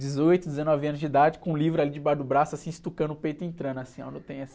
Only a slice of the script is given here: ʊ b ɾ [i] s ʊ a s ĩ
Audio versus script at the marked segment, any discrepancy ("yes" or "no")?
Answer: yes